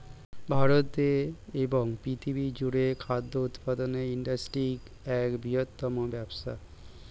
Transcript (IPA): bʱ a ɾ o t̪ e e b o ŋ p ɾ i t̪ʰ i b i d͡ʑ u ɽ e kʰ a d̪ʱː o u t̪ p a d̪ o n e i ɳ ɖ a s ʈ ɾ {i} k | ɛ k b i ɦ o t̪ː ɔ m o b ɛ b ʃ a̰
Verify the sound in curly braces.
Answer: correct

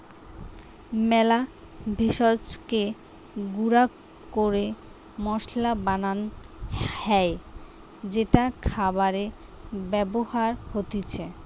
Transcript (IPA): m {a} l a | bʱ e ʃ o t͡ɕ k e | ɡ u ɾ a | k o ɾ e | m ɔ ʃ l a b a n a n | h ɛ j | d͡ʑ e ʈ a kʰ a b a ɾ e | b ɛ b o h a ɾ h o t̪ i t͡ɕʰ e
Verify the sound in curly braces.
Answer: incorrect: ɛ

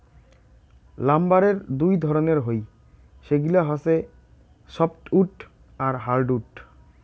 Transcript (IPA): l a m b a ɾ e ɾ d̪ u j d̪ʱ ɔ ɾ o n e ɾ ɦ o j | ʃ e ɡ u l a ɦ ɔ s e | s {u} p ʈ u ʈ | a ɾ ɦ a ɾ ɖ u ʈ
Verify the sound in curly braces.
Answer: incorrect: ɔ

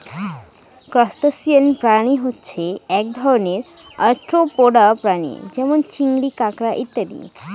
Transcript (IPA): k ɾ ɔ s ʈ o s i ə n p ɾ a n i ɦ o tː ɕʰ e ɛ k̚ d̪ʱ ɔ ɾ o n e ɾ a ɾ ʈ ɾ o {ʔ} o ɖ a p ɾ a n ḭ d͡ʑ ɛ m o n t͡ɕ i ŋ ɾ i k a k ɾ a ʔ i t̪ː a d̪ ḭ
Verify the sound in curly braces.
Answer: incorrect: p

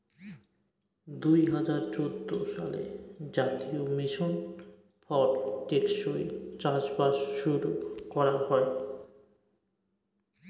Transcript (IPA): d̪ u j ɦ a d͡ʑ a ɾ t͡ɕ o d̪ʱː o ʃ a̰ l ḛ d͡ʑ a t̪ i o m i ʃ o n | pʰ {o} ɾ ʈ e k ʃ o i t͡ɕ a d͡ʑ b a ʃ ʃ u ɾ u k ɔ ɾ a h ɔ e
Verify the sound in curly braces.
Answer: incorrect: ɔ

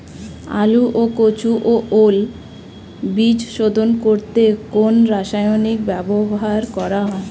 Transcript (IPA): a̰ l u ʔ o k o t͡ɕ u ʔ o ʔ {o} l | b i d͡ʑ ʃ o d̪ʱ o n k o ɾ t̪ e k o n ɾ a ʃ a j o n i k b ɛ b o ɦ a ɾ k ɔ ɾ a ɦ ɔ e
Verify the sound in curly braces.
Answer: correct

